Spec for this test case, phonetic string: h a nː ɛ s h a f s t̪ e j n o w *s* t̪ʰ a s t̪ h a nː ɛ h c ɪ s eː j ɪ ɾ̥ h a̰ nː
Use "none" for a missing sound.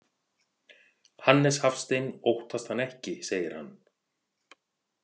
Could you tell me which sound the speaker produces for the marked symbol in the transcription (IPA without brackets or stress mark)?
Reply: h